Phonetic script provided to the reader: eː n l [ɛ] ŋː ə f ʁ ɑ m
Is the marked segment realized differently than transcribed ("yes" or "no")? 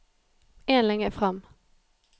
no